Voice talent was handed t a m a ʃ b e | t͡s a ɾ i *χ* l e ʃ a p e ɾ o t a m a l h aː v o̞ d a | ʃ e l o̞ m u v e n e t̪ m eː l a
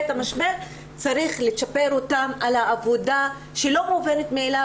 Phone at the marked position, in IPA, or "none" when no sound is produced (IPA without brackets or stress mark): χ